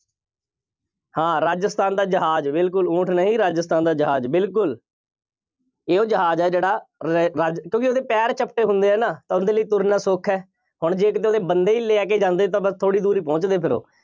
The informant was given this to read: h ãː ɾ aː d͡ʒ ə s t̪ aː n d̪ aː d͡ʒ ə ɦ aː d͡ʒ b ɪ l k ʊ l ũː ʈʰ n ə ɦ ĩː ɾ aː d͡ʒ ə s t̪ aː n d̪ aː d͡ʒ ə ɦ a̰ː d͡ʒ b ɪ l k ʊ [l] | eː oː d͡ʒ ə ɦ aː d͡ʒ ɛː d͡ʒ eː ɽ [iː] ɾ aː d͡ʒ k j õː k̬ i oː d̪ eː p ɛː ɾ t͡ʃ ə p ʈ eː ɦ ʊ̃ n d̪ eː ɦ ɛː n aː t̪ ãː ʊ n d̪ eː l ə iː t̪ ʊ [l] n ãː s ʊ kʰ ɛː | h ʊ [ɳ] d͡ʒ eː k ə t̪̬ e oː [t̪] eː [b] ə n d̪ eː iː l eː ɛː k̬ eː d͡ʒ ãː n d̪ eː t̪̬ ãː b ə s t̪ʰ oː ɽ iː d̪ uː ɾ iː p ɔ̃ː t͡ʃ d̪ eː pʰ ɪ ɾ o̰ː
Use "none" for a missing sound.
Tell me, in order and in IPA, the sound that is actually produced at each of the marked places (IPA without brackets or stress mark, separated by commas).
l, aː, ɾ, ɳ, d̪, b